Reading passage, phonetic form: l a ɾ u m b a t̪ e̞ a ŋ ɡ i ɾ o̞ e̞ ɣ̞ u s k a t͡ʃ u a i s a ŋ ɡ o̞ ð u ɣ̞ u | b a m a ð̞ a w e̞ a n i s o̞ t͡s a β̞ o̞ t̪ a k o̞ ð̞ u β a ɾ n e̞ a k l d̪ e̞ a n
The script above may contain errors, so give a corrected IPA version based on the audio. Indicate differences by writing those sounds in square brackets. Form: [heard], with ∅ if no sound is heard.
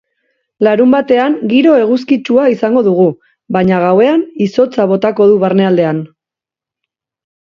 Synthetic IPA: l a ɾ u m b a t̪ e̞ a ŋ ɡ i ɾ o̞ e̞ ɣ̞ u s k [i] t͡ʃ u a i s a ŋ ɡ o̞ ð u ɣ̞ u | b a [ɲ] a [ɣ̞] a w e̞ a n i s o̞ t͡s a β̞ o̞ t̪ a k o̞ ð̞ u β a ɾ n e̞ a [∅] l d̪ e̞ a n